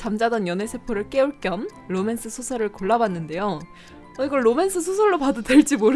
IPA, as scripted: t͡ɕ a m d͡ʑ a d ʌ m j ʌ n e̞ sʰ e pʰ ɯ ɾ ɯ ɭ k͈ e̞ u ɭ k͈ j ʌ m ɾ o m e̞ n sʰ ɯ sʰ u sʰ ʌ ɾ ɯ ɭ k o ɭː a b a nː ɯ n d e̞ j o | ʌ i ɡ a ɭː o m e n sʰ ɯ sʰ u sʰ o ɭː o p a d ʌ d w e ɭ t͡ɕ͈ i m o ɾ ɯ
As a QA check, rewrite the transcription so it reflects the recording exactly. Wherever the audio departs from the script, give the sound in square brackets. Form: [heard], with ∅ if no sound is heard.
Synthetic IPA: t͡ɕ a m d͡ʑ a d ʌ [n] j ʌ n e̞ sʰ e pʰ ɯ ɾ ɯ ɭ k͈ e̞ u ɭ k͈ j ʌ m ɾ o m e̞ n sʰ ɯ sʰ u sʰ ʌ ɾ ɯ ɭ k o ɭː a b a nː ɯ n d e̞ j o | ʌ i ɡ [ʌ] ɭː o m e n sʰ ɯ sʰ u sʰ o ɭː o p a d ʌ d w e ɭ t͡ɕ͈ i m o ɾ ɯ